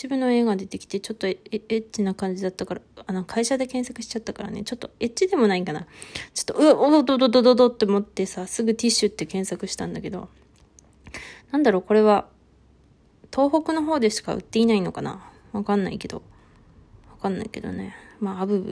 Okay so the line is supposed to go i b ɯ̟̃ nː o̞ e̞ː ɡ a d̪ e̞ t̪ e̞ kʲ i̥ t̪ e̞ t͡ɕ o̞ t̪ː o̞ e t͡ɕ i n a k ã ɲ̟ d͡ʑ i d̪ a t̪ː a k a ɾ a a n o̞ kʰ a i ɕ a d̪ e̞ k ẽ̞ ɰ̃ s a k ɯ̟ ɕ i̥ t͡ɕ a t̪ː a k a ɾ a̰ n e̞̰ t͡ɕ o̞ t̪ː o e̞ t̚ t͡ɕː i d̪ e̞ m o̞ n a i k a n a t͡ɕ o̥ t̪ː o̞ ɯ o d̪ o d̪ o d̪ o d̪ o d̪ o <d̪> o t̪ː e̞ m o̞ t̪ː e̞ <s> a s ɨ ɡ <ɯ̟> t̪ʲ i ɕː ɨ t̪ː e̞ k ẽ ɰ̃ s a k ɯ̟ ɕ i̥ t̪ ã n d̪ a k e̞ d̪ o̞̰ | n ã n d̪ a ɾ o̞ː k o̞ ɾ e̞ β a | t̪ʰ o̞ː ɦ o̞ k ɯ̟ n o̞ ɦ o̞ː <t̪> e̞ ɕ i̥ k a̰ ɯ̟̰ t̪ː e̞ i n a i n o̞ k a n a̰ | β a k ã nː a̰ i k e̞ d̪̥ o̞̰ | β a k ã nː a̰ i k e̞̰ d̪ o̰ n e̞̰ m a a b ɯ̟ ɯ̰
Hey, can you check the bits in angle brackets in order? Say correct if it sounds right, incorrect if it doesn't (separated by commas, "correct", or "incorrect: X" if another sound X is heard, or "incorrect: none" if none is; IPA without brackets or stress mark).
correct, correct, correct, incorrect: d̪